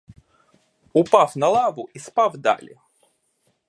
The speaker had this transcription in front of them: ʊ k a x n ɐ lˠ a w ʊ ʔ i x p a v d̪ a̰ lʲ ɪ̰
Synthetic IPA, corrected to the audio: ʊ p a f n ɐ lˠ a v ʊ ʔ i s p a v d̪ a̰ lʲ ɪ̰